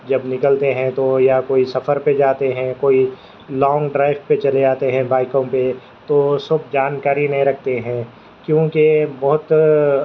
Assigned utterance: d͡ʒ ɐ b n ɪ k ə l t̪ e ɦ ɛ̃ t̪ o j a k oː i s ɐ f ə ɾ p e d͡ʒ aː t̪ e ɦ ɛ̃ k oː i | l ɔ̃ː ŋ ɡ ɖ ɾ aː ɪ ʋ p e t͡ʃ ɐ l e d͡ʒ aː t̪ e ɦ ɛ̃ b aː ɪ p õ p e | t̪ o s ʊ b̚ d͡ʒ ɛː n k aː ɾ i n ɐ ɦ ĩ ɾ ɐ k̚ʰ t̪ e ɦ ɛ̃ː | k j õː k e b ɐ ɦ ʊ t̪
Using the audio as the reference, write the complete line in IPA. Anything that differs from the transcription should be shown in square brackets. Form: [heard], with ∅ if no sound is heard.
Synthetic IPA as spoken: d͡ʒ ɐ b n ɪ k ə l t̪ e ɦ ɛ̃ t̪ o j a k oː i s ɐ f ə ɾ p e d͡ʒ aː t̪ e ɦ ɛ̃ k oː i | l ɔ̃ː ŋ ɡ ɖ ɾ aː ɪ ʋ p e t͡ʃ ɐ l e d͡ʒ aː t̪ e ɦ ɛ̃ b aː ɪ [k] õ p e | t̪ o s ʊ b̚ d͡ʒ [aː] n k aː ɾ i n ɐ ɦ ĩ ɾ ɐ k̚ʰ t̪ e ɦ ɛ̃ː | k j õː k e b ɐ ɦ ʊ t̪